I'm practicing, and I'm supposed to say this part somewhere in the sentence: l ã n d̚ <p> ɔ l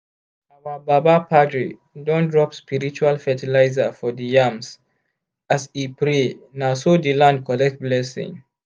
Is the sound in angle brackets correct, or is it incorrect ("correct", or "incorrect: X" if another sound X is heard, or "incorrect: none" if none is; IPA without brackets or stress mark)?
incorrect: k